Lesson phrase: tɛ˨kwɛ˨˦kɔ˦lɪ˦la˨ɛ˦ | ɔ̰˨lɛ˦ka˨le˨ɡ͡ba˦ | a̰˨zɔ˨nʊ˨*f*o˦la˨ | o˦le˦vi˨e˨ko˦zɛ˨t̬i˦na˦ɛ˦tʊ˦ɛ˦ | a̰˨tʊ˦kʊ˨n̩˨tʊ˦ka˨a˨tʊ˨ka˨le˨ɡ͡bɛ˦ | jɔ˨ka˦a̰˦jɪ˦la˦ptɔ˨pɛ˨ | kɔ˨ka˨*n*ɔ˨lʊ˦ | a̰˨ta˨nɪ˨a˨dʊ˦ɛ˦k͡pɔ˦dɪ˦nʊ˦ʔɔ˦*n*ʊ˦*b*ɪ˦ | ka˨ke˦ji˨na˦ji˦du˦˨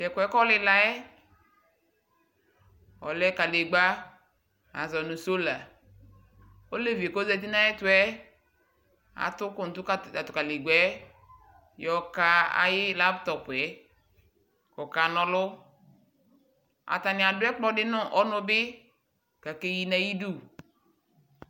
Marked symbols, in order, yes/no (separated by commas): no, yes, yes, yes